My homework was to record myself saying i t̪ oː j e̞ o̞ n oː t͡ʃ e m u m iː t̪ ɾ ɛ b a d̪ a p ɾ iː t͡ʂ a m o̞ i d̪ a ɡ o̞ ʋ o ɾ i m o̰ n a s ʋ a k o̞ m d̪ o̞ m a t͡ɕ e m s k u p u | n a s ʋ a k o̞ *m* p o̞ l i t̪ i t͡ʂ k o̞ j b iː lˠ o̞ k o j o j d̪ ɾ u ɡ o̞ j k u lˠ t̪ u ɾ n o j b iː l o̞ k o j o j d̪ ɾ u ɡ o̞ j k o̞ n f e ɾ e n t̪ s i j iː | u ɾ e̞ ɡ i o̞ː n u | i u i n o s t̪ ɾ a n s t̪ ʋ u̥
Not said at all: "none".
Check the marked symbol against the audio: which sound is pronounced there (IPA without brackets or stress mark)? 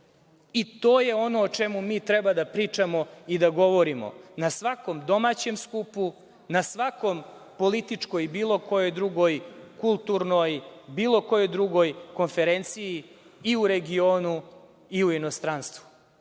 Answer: m